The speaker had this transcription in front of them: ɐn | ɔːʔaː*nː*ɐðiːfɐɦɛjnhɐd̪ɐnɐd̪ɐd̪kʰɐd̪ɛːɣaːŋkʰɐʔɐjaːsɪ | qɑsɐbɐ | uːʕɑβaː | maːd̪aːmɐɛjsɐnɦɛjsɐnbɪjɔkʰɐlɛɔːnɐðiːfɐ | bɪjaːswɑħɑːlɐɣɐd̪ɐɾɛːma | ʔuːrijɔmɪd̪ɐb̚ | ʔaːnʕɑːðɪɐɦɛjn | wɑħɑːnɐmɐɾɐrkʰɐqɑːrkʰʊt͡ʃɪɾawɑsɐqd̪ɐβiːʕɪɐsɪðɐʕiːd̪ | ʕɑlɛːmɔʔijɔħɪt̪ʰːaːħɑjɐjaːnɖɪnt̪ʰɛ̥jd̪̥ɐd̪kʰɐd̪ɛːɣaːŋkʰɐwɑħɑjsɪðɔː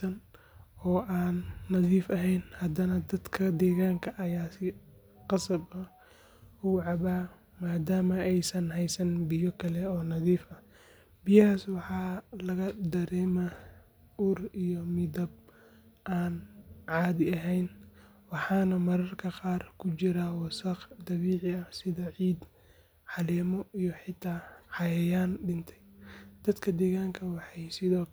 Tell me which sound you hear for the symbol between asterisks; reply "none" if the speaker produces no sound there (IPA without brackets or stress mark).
nː